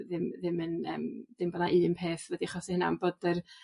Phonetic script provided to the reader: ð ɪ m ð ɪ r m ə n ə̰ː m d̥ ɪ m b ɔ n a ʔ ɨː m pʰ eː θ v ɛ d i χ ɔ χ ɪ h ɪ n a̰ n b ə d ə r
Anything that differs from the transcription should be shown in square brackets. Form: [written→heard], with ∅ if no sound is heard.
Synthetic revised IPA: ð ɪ m ð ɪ [r→∅] m ə n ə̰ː m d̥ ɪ m b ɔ n a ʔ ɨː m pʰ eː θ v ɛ d i χ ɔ [χ→s] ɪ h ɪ n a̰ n b ə d ə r